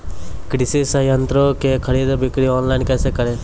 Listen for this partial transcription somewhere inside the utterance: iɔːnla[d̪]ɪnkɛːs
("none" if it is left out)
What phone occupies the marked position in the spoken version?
none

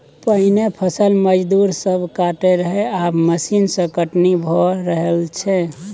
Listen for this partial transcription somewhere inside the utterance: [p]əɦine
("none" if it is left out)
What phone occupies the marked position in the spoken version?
p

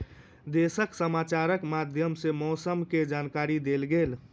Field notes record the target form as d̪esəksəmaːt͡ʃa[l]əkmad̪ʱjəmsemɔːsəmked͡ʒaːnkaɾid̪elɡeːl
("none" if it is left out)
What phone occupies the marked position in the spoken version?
ɾ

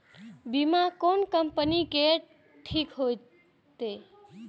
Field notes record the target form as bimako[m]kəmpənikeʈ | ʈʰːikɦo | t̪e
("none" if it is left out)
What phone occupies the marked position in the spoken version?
n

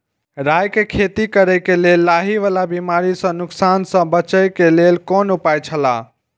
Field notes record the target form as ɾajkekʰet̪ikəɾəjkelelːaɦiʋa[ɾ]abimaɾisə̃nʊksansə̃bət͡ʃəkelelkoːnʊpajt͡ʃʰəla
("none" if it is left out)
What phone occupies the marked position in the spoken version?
l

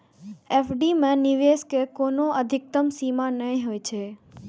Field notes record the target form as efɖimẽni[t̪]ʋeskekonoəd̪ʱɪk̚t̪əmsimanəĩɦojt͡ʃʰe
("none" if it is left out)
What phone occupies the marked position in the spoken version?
none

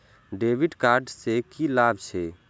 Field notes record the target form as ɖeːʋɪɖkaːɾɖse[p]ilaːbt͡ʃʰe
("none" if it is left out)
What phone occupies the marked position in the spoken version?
k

